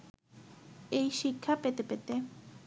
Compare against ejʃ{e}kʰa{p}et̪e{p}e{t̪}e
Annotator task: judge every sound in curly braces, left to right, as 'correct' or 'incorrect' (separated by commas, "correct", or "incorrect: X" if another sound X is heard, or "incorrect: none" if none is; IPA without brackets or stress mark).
incorrect: i, correct, correct, correct